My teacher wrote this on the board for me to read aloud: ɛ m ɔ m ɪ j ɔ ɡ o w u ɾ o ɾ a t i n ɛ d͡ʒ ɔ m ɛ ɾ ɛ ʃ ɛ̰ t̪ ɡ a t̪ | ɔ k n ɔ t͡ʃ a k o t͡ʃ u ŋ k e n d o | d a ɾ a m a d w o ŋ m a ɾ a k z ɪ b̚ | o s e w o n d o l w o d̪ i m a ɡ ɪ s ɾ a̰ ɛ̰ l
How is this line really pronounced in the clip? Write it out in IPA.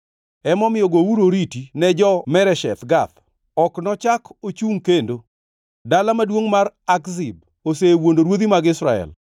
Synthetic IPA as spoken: ɛ m ɔ m ɪ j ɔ ɡ o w u ɾ o ɾ i t i n ɛ d͡ʒ ɔ m ɛ ɾ ɛ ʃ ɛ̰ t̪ ɡ a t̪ | ɔ k n ɔ t͡ʃ a k o t͡ʃ u ŋ k e n d o | d a l a m a d w o ŋ m a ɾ a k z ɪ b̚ | o s e w o n d o ɾ w o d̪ i m a ɡ ɪ s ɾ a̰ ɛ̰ l

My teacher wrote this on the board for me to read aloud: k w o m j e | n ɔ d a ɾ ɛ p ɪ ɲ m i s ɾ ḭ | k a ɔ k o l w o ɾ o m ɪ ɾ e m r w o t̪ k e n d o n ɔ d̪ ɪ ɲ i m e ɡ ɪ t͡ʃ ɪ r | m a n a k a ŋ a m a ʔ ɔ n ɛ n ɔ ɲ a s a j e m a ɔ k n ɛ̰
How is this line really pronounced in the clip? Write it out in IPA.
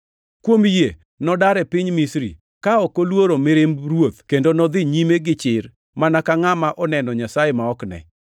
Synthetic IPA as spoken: k w o m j e | n ɔ d a ɾ ɛ p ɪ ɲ m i s ɾ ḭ | k a ɔ k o l w o ɾ o m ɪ ɾ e m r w o t̪ k e n d o n ɔ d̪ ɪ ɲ i m e ɡ ɪ t͡ʃ ɪ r | m a n a k a ŋ a m a ʔ ɔ n ɛ n ɔ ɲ a s a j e m a ɔ k n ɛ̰

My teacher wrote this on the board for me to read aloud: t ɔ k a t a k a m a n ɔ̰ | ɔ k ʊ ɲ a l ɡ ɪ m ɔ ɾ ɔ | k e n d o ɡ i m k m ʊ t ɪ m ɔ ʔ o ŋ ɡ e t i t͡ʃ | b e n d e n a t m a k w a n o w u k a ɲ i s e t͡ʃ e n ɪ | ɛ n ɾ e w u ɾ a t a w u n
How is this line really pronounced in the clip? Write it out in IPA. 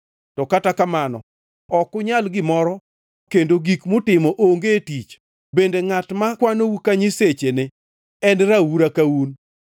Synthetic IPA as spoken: t ɔ k a t a k a m a n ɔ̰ | ɔ k ʊ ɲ a l ɡ ɪ m ɔ ɾ ɔ | k e n d o ɡ i k m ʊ t ɪ m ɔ ʔ o ŋ ɡ e t i t͡ʃ | b e n d e ŋ a t m a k w a n o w u k a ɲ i s e t͡ʃ e n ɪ | ɛ n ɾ a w u ɾ a k a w u n

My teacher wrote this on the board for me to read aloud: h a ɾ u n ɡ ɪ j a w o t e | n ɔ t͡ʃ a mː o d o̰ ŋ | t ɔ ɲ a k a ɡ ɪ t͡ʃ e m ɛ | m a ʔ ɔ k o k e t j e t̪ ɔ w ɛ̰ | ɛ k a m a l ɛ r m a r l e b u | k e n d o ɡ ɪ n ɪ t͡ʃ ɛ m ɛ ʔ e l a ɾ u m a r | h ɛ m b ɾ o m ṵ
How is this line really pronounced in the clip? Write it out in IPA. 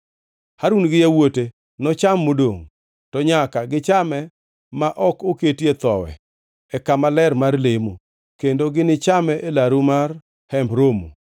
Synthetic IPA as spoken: h a ɾ u n ɡ ɪ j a w o t e | n ɔ t͡ʃ a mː o d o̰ ŋ | t ɔ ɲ a k a ɡ ɪ t͡ʃ a m ɛ | m a ʔ ɔ k o k e t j e t̪ ɔ w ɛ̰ | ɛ k a m a l ɛ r m a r l e m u | k e n d o ɡ ɪ n ɪ t͡ʃ a m ɛ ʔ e l a ɾ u m a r | h ɛ m b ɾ o m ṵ

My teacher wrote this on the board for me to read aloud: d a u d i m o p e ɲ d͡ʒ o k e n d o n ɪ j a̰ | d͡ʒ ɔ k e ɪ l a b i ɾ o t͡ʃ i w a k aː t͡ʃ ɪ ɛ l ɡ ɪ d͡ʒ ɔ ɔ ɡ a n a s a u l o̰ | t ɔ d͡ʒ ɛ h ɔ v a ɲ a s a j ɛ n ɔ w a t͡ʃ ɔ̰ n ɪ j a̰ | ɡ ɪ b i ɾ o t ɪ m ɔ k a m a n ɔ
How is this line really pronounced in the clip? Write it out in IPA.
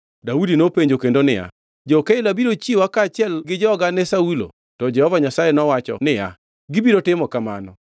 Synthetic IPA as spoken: d a u d i n o p e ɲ d͡ʒ o k e n d o n ɪ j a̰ | d͡ʒ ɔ k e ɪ l a b i ɾ o t͡ʃ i w a k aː t͡ʃ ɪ ɛ l ɡ ɪ d͡ʒ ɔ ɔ ɡ a n ɛ s a u l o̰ | t ɔ d͡ʒ ɛ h ɔ v a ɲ a s a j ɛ n ɔ w a t͡ʃ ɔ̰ n ɪ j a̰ | ɡ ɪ b i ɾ o t ɪ m ɔ k a m a n ɔ

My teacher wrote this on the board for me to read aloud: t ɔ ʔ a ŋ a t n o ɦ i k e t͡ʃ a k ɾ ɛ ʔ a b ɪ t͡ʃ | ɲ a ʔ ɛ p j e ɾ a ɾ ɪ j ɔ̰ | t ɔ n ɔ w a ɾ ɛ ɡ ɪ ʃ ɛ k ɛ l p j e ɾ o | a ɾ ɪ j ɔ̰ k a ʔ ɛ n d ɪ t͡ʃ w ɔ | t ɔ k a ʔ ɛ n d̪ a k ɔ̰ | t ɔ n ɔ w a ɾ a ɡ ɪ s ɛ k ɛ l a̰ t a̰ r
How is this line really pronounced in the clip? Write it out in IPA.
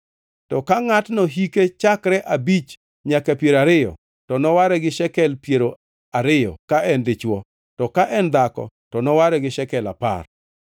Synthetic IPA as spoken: t ɔ k a ŋ a t n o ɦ i k e t͡ʃ a k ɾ ɛ ʔ a b i t͡ʃ | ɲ a k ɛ p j e ɾ a ɾ ɪ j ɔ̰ | t ɔ n ɔ w a ɾ ɛ ɡ ɪ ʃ ɛ k ɛ l p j e ɾ o | a ɾ ɪ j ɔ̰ k a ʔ ɛ n d ɪ t͡ʃ w ɔ | t ɔ k a ʔ ɛ n d̪ a k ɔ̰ | t ɔ n ɔ w a ɾ ɛ ɡ ɪ ʃ ɛ k ɛ l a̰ p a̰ r

